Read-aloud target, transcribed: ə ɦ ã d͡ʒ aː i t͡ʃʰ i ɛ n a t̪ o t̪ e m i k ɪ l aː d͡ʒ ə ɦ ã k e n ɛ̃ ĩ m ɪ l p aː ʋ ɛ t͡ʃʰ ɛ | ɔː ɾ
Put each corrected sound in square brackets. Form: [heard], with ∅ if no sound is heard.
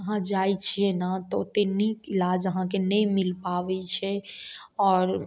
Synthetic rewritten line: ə ɦ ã d͡ʒ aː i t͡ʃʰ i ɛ n a t̪ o t̪ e [n] i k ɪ l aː d͡ʒ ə ɦ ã k e n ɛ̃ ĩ m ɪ l p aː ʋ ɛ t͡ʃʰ ɛ | ɔː ɾ